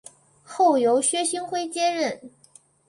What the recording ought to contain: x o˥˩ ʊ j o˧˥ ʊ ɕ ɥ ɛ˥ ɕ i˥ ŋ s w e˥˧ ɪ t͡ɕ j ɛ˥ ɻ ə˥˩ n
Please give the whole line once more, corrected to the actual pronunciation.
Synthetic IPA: x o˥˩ ʊ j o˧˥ ʊ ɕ ɥ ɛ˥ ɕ i˥ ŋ x w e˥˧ ɪ t͡ɕ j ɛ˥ ɻ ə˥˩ n